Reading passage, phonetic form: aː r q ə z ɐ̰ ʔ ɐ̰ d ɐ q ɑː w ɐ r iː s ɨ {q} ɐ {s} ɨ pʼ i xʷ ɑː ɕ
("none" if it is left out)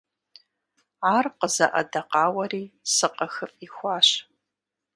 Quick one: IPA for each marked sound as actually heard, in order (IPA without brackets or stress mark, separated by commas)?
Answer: q, x